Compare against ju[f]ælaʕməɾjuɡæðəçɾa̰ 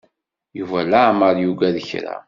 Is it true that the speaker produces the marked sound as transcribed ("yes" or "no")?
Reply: no